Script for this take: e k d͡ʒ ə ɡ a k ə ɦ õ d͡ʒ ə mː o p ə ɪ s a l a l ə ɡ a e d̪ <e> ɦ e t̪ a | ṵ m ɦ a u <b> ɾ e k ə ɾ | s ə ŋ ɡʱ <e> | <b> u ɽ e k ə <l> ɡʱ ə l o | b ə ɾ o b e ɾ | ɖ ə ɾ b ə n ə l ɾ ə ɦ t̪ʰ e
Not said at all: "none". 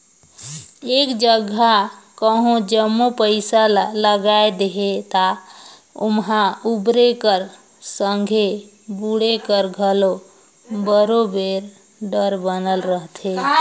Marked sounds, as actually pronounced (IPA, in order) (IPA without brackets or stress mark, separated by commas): e, b, e, b, ɾ